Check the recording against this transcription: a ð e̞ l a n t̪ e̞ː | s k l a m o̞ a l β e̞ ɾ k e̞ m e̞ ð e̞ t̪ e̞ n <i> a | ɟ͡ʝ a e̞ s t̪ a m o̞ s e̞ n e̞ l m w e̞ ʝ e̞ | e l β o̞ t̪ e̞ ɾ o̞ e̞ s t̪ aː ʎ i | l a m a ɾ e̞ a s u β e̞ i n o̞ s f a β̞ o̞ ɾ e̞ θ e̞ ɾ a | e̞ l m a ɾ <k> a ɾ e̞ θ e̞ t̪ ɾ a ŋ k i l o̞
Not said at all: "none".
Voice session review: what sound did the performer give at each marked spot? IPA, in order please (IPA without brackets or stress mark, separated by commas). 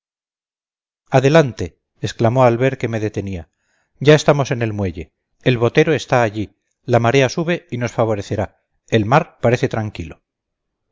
i, p